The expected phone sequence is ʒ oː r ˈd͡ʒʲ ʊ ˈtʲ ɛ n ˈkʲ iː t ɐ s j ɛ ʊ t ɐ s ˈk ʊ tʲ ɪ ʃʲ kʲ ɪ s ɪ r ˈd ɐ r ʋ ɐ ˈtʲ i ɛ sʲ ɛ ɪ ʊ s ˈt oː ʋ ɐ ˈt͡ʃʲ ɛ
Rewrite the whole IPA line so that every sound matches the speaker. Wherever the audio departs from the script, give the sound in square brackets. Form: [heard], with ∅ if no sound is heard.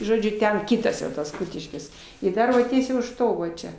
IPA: ʒ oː [∅] ˈd͡ʒʲ ʊ ˈtʲ ɛ n ˈkʲ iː t ɐ s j ɛ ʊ t ɐ s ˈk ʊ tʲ ɪ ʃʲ kʲ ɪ s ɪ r ˈd ɐ r ʋ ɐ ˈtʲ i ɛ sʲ ɛ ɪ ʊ [ʃ] ˈt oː ʋ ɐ ˈt͡ʃʲ ɛ